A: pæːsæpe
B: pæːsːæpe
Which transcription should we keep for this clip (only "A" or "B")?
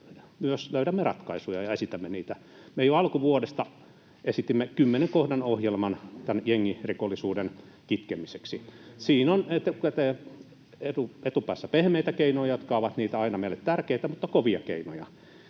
B